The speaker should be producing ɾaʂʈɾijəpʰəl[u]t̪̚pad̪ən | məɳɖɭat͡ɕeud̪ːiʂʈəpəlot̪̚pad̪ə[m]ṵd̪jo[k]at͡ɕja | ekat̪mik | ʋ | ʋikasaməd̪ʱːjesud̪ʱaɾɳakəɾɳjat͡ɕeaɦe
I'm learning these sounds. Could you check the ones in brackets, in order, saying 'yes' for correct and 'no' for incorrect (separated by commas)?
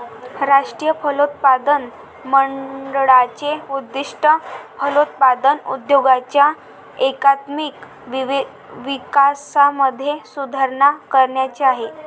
no, no, no